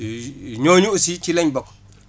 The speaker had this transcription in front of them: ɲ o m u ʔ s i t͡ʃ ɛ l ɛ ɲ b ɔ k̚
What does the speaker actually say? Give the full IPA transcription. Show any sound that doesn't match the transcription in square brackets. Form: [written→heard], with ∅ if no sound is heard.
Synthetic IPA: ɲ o [m→ɲ] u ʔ s i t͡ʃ [ɛ→i] l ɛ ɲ b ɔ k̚